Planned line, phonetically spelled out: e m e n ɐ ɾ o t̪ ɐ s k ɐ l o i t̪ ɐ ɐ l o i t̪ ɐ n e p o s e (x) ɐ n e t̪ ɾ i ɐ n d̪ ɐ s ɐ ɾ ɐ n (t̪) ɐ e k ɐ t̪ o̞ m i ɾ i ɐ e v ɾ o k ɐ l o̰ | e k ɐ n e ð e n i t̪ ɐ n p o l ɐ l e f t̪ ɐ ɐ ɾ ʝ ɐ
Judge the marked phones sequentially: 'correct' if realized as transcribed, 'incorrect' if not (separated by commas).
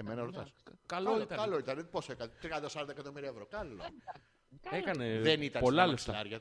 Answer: incorrect, incorrect